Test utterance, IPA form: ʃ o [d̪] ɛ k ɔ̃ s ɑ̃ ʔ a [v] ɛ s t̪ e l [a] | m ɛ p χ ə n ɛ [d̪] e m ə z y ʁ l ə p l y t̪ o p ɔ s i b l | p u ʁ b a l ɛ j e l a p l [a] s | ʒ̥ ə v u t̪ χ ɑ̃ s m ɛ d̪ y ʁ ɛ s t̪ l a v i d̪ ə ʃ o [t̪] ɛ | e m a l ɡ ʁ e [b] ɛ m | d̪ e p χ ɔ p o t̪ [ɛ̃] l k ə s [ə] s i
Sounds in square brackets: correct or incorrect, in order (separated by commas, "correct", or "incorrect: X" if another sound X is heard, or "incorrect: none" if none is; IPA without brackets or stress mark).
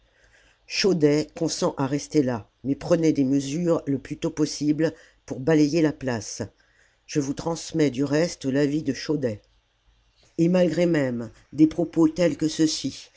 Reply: correct, incorrect: ʁ, correct, correct, correct, incorrect: d̪, incorrect: m, incorrect: ɛ, correct